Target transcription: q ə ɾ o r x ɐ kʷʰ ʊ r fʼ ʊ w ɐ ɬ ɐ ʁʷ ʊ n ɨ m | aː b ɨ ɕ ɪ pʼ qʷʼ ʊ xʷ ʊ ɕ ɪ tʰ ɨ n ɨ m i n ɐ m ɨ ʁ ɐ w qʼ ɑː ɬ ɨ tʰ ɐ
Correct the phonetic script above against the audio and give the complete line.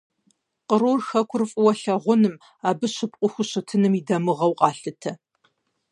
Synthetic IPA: q ə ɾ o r x ɐ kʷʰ ʊ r fʼ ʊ w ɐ ɬ ɐ ʁʷ ʊ n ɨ m | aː b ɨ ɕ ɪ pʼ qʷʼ ʊ xʷ ʊ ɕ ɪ tʰ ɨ n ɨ m i d ɐ m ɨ ʁ ɐ w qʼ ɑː ɬ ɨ tʰ ɐ